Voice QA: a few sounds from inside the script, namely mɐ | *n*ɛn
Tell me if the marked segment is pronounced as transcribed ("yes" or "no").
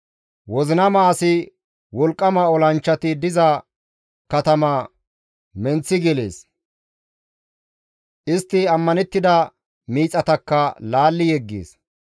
no